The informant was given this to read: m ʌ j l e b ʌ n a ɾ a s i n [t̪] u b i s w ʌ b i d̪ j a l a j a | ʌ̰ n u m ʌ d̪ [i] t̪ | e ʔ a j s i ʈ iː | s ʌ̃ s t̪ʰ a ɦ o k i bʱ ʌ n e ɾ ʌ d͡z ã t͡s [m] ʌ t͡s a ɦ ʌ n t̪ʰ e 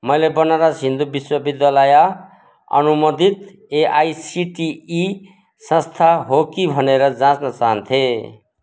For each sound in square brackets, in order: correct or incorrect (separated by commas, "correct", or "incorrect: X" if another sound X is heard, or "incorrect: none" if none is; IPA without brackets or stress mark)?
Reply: incorrect: d̪, correct, incorrect: n